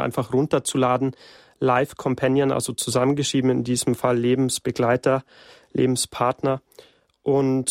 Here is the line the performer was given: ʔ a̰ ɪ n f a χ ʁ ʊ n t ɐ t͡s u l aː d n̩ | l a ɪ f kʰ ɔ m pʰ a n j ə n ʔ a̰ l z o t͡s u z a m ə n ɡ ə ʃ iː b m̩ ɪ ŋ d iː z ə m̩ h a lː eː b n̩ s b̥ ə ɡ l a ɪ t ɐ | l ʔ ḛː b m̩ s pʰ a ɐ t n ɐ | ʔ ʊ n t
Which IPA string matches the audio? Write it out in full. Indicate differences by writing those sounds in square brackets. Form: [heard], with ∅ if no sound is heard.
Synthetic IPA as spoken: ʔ a̰ ɪ n f a χ ʁ ʊ n t ɐ t͡s u l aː d n̩ | l a ɪ f kʰ ɔ m pʰ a n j ə n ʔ a̰ l z o t͡s u z a m ə n ɡ ə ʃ iː b m̩ ɪ [n] d iː z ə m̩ [f] a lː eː b [m̩] s b̥ ə ɡ l a ɪ t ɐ | l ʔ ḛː b m̩ s pʰ a ɐ t n ɐ | ʔ ʊ n t